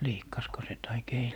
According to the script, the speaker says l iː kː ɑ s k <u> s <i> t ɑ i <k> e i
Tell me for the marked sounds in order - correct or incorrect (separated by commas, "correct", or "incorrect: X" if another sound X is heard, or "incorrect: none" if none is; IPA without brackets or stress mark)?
incorrect: o, incorrect: e, correct